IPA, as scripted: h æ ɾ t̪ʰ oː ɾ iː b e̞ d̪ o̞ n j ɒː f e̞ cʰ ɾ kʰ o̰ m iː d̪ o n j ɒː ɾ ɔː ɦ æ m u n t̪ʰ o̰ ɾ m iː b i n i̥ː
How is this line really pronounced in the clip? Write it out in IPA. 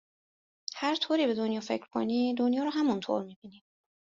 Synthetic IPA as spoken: h æ ɾ t̪ʰ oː ɾ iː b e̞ d̪ o̞ n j ɒː f e̞ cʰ ɾ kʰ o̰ n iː d̪ o n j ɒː ɾ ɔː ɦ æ m u n t̪ʰ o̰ ɾ m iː b i n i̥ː